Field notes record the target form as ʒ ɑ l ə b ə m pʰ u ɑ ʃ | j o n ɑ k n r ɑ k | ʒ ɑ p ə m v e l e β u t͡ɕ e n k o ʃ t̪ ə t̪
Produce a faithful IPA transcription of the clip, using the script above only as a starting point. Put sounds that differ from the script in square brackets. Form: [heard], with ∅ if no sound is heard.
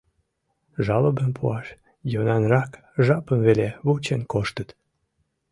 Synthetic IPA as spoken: ʒ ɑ l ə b ə m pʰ u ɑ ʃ | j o n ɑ [∅] n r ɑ k | ʒ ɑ p ə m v e l e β u t͡ɕ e n k o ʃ t̪ ə t̪